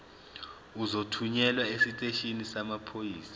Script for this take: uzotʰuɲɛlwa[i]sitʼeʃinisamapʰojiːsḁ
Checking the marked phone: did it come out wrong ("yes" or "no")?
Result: yes